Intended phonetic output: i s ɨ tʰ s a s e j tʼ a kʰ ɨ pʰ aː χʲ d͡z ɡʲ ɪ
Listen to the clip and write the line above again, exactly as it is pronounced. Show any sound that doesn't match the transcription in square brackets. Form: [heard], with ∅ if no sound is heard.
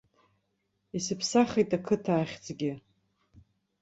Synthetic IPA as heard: i s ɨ [pʰ] s a [χ] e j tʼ a kʰ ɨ [tʰ] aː χʲ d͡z ɡʲ ɪ